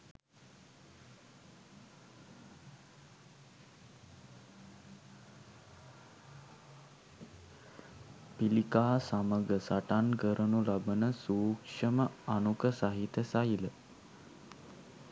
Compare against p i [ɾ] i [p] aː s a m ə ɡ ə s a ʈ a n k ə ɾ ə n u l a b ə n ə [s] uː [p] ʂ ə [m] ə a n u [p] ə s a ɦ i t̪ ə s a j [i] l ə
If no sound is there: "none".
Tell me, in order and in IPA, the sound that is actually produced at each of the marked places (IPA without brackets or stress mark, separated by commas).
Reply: l, k, s, k, m, k, i